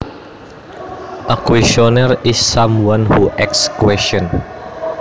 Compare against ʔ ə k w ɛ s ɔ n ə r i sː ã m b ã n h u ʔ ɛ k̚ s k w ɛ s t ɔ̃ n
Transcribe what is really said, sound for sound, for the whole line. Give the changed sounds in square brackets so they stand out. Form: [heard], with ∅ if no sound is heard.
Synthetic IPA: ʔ ə k w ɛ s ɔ n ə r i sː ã m [w] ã n h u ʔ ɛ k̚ s k w ɛ s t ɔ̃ n

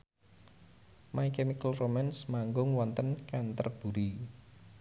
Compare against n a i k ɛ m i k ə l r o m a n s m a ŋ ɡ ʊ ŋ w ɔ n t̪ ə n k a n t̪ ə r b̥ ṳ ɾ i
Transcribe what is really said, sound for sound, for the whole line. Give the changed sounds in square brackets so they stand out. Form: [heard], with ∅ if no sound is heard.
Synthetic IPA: [m] a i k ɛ m i k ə l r o m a n s m a ŋ ɡ ʊ ŋ w ɔ n t̪ ə n k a n t̪ ə r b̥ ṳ ɾ i

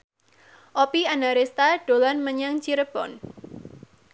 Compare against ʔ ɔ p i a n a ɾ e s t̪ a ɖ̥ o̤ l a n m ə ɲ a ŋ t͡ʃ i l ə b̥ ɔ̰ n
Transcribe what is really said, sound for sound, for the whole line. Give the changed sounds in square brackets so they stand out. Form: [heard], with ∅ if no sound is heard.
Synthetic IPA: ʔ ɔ p i a n a ɾ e s t̪ a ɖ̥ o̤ l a n m ə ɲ a ŋ t͡ʃ i [ɾ] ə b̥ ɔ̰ n

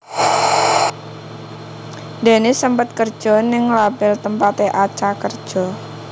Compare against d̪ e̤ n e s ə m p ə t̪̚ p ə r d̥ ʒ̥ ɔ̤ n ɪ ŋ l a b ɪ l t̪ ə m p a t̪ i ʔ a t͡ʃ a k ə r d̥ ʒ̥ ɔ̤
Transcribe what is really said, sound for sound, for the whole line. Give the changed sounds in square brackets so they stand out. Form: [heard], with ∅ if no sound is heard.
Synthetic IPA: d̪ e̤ n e s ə m p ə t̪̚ [k] ə r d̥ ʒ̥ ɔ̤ n ɪ ŋ l a b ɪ l t̪ ə m p a t̪ [e] ʔ a t͡ʃ a k ə r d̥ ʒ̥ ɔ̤

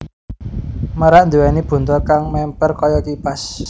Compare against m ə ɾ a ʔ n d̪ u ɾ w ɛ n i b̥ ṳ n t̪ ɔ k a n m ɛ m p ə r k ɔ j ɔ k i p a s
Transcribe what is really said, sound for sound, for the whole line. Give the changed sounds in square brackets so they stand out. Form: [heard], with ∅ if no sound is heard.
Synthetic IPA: m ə ɾ a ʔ n d̪ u [∅] w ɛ n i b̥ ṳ n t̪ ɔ k a [ŋ] m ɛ m p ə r k ɔ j ɔ k i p a s

